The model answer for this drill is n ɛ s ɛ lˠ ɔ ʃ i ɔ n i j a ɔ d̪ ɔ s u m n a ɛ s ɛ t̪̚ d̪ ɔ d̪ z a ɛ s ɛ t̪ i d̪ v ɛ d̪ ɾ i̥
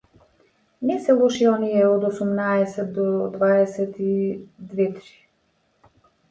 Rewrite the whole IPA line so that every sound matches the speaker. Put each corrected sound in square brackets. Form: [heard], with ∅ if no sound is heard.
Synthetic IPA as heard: n ɛ s ɛ lˠ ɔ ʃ i ɔ n i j [ɛ] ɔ d̪ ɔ s u m n a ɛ s ɛ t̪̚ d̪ ɔ d̪ [v] a ɛ s ɛ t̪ i d̪ v ɛ [t̪] ɾ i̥